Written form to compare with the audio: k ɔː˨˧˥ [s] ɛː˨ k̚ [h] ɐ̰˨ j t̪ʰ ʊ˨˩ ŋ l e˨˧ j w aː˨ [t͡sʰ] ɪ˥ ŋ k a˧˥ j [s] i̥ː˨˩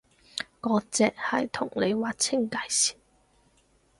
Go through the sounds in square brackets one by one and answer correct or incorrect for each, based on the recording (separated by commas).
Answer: incorrect, correct, correct, correct